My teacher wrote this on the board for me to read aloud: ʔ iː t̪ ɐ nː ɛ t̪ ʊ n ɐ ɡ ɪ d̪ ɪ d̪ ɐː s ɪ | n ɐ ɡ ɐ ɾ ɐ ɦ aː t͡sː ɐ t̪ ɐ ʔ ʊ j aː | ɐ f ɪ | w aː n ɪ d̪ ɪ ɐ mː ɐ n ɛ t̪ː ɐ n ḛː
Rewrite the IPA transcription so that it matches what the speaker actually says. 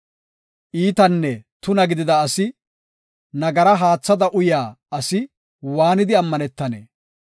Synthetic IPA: ʔ iː t̪ ɐ nː ɛ t̪ ʊ n ɐ ɡ ɪ d̪ ɪ d̪ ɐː s ɪ | n ɐ ɡ ɐ ɾ ɐ ɦ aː t͡sː ɐ d̪ ɐ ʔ ʊ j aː | ɐ s ɪ | w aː n ɪ d̪ ɪ ɐ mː ɐ n ɛ t̪ː ɐ n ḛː